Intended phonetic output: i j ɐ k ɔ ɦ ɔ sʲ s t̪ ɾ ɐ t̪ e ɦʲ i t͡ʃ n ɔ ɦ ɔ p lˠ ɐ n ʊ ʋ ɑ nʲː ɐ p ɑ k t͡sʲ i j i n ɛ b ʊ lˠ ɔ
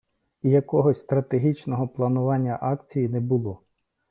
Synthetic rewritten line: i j ɐ k ɔ ɦ ɔ sʲ s t̪ ɾ ɐ t̪ e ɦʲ i t͡ʃ n ɔ ɦ ɔ p lˠ ɐ n ʊ ʋ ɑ nʲː ɐ ʔ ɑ k t͡sʲ i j i n ɛ b ʊ lˠ ɔ